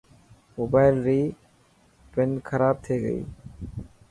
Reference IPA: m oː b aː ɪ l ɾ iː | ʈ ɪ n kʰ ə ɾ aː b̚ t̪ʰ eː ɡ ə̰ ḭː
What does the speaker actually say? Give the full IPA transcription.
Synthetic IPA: m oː b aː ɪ l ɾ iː | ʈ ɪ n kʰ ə ɾ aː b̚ t̪ʰ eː ɡ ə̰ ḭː